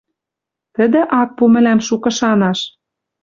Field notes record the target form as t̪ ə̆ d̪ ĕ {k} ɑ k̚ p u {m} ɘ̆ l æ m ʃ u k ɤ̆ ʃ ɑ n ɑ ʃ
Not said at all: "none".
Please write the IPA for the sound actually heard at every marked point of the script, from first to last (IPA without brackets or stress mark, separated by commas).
ʔ, m